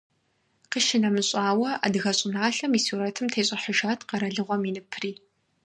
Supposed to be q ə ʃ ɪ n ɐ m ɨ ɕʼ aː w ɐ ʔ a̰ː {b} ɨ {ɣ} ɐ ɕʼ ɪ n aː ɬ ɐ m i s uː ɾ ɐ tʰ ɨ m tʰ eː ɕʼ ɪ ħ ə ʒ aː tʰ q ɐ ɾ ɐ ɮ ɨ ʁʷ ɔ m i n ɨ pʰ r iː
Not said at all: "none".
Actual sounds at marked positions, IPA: d, ɣ

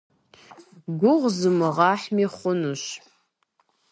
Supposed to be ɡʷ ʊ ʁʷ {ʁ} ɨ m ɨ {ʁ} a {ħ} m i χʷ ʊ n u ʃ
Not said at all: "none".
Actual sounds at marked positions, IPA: z, ʁ, ħ

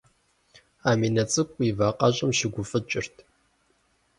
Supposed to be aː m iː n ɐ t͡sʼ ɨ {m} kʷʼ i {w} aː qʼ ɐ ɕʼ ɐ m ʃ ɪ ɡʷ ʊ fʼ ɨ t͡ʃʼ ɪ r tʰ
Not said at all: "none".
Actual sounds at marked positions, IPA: none, v

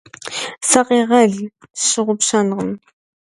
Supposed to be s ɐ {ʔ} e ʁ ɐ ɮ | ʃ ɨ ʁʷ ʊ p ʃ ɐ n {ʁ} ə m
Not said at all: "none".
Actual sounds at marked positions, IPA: q, ʁ

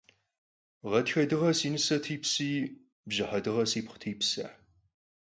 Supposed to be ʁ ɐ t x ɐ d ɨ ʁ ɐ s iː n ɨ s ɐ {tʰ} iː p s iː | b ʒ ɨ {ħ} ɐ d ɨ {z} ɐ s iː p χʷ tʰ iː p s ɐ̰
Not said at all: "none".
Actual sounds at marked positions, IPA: tʰ, ħ, ʁ

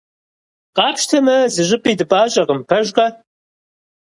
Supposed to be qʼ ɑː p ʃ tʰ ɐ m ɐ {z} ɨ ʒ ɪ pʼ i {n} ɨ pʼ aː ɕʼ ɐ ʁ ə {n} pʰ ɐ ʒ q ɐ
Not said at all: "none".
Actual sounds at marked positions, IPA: z, d, m

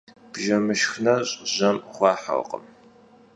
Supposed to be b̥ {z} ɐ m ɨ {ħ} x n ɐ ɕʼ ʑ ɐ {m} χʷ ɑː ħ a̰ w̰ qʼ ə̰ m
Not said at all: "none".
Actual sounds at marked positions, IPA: ʒ, ʃ, m

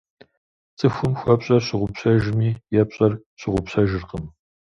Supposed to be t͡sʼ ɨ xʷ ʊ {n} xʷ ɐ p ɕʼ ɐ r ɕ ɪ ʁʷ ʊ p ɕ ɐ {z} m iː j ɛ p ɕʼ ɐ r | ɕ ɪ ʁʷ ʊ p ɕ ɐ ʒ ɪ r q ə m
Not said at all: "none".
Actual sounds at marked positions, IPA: m, ʒ

